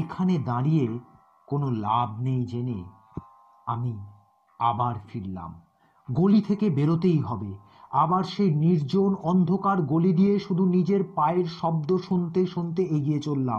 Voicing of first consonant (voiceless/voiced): voiceless